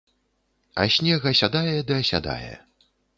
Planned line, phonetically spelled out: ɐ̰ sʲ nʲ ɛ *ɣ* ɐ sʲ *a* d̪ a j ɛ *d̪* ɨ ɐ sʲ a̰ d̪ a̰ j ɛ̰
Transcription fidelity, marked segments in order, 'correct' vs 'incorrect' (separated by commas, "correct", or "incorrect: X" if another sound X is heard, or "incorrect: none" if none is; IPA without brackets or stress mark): correct, correct, correct